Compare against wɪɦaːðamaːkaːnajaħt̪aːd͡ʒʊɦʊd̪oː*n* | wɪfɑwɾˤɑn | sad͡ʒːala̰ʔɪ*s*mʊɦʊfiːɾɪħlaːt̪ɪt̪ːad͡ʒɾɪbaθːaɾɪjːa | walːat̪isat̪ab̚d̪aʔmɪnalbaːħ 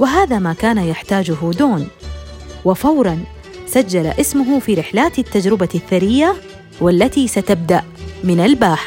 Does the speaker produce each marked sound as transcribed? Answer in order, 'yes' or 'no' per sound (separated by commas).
yes, yes